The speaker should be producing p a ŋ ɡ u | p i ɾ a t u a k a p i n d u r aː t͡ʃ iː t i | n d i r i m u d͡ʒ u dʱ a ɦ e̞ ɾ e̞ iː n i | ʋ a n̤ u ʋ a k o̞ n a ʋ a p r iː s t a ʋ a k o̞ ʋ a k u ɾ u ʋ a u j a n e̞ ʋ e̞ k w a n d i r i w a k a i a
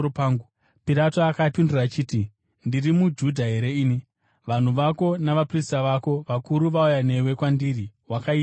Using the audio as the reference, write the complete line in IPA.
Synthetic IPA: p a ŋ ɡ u | p i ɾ a t o a k a p i n d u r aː t͡ʃ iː t i | n d i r i m u d͡ʒ u dʱ a ɦ e̞ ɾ e̞ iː n i | ʋ a n̤ u ʋ a k o̞ n a ʋ a p r i s t a ʋ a k o̞ ʋ a k u ɾ u ʋ a u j a n e̞ w e̞ k w a n d i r i w a k a i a